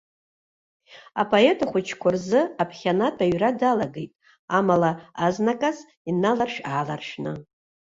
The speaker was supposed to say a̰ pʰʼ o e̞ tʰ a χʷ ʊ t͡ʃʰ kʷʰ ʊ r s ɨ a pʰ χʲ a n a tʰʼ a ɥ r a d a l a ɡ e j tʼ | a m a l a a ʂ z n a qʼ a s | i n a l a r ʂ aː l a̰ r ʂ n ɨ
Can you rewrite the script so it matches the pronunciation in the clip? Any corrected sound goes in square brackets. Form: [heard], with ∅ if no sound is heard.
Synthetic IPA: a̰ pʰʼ o e̞ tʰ a χʷ ʊ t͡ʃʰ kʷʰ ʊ r [z] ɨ a pʰ χʲ a n a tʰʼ a ɥ r a d a l a ɡ e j tʼ | a m a l a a [∅] z n a [kʼ] a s | i n a l a r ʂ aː l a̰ r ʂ n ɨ

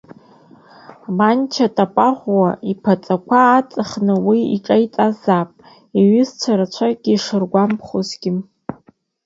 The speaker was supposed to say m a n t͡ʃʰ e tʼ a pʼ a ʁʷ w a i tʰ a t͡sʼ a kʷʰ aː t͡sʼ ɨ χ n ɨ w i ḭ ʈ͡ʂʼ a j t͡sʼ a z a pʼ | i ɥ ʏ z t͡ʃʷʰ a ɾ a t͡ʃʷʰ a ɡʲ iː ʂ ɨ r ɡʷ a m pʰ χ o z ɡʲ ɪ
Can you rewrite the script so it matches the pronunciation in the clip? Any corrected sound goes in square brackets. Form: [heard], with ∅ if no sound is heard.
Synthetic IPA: m a n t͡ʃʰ [a] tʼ a pʼ a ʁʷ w a i [pʰ] a t͡sʼ a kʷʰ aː t͡sʼ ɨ χ n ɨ w i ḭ ʈ͡ʂʼ a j t͡sʼ a z a pʼ | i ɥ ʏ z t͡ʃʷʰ a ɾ a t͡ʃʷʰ a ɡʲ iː ʂ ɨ r ɡʷ a m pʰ χ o z ɡʲ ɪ

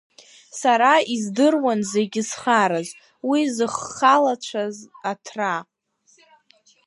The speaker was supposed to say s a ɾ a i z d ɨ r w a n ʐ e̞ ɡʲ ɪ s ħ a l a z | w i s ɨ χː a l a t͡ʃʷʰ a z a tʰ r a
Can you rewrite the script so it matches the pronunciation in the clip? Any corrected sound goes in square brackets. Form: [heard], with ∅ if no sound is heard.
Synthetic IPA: s a ɾ a i z d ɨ r w a n [z] e̞ ɡʲ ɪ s [χ] a [ɾ] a z | w i [z] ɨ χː a l a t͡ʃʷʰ a z a tʰ r a

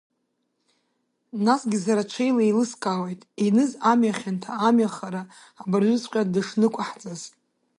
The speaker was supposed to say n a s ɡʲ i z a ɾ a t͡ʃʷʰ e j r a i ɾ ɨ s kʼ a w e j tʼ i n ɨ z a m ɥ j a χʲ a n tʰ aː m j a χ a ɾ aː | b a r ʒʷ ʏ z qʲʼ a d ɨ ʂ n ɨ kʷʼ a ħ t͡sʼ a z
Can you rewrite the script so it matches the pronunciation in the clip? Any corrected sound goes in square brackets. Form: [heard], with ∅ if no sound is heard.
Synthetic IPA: n a s ɡʲ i z a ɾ a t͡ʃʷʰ e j [l] a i [l] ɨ s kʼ a w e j tʼ i n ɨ z a m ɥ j a χʲ a n tʰ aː m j a χ a ɾ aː | b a r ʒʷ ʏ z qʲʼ a d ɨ ʂ n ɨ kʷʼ a ħ t͡sʼ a z

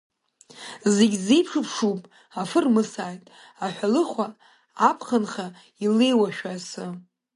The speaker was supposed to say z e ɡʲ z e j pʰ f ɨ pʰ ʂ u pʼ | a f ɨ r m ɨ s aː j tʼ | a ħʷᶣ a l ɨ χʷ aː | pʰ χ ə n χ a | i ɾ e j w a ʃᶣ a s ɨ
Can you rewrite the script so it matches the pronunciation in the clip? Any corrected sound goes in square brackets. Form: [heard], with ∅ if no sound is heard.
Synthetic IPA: z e ɡʲ z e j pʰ [ʂ] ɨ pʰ ʂ u pʼ | a f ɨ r m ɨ s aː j tʼ | a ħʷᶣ a l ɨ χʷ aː | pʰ χ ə n χ a | i [l] e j w a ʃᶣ a s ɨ

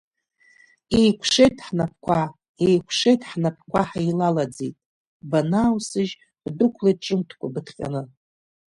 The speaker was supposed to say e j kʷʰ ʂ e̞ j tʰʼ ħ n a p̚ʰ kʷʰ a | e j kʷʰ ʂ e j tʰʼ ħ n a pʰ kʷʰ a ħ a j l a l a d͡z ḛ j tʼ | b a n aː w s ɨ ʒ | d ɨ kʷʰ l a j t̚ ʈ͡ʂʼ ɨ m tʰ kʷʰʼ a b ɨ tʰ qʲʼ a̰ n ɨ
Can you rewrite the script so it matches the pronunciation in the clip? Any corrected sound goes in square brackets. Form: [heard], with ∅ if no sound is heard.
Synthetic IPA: e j kʷʰ ʂ e̞ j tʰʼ ħ n a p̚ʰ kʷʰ a | e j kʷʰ ʂ e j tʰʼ ħ n a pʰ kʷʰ a ħ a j l a l a d͡z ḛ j tʼ | b a n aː w s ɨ ʒ | d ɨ kʷʰ l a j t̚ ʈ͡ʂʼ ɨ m tʰ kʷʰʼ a b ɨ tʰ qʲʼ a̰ n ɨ

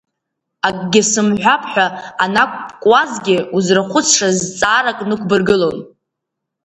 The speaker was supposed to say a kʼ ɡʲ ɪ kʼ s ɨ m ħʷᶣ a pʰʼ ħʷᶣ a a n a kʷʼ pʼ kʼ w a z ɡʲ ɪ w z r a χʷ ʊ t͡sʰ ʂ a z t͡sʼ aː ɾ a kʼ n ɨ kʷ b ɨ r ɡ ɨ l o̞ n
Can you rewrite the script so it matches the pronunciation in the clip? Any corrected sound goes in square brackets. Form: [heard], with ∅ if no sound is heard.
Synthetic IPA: a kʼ ɡʲ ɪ [∅] s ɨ m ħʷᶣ a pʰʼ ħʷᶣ a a n a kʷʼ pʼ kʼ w a z ɡʲ ɪ [u] z r a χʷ ʊ t͡sʰ ʂ a z t͡sʼ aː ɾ a kʼ n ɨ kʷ b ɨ r ɡ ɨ l o̞ n

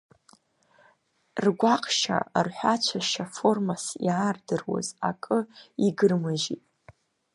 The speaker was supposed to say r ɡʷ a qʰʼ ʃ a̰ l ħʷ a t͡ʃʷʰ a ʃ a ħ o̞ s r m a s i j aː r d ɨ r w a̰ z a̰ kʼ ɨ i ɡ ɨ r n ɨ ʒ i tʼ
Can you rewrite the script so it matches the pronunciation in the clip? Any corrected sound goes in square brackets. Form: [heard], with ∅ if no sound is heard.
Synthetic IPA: r ɡʷ a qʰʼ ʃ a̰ [r] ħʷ a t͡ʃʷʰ a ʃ a [f] o̞ [∅] r m a s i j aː r d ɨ r w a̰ z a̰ kʼ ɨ i ɡ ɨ r [m] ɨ ʒ i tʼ

